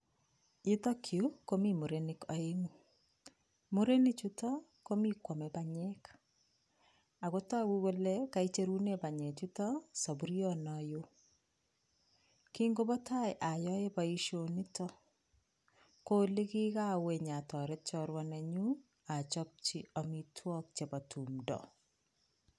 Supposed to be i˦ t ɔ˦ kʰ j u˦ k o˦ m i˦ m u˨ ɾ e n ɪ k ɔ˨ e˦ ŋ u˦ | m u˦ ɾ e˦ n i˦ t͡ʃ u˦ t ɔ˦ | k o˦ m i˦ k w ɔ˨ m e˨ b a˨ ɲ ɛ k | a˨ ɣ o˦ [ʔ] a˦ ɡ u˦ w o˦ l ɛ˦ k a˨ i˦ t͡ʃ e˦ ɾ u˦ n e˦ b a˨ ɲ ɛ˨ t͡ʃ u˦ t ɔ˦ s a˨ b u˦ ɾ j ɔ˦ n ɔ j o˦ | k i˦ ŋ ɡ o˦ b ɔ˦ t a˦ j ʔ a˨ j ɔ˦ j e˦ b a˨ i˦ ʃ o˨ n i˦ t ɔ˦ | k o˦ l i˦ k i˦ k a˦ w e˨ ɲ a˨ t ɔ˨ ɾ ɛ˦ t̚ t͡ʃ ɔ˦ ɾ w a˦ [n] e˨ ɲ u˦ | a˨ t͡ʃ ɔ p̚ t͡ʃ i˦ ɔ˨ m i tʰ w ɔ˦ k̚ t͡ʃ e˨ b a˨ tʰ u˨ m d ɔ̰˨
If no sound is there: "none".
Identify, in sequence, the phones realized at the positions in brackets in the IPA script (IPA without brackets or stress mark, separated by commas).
t, n